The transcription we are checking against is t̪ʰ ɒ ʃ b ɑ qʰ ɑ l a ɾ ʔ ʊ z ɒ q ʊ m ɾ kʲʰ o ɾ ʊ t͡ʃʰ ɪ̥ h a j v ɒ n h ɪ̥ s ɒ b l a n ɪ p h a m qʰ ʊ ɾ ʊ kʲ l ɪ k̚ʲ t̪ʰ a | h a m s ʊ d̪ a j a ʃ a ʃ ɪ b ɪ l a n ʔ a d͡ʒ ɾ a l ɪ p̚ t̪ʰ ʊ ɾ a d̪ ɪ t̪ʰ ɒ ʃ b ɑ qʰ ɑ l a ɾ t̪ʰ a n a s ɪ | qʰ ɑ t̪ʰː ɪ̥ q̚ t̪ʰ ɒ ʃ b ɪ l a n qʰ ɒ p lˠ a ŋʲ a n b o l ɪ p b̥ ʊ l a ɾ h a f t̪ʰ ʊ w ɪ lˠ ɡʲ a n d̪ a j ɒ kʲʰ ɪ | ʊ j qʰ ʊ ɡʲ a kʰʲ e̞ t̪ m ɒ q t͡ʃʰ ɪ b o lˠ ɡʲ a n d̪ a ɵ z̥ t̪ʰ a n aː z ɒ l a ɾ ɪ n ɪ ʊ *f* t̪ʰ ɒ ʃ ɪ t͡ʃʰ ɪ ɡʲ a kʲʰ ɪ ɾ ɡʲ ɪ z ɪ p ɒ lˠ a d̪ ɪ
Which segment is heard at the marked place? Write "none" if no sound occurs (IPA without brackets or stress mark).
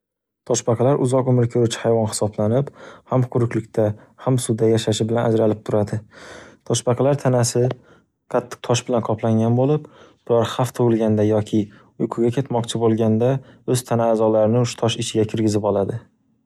ʃ